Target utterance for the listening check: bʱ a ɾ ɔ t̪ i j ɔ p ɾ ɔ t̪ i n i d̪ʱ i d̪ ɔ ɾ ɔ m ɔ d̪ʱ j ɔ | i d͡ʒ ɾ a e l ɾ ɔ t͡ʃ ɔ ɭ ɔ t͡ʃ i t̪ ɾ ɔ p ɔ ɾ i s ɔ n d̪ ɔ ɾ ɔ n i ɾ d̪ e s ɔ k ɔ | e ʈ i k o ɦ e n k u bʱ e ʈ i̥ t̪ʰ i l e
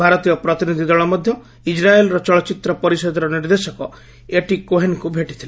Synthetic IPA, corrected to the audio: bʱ a ɾ ɔ t̪ i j ɔ p ɾ ɔ t̪ i n i d̪ʱ i d̪ ɔ ɭ ɔ m ɔ d̪ʱ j ɔ | i d͡ʒ ɾ a e l ɾ ɔ t͡ʃ ɔ ɭ ɔ t͡ʃ i t̪ ɾ ɔ p ɔ ɾ i s ɔ d̪ ɔ ɾ ɔ n i ɾ d̪ e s ɔ k ɔ | e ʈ i k o ɦ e n k u bʱ e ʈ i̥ t̪ʰ i l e